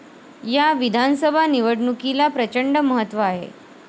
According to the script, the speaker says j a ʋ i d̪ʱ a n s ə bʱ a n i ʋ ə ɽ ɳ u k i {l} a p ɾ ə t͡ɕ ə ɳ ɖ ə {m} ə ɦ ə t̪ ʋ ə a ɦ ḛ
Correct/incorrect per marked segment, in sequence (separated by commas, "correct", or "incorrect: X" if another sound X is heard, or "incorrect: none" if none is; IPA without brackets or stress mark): correct, correct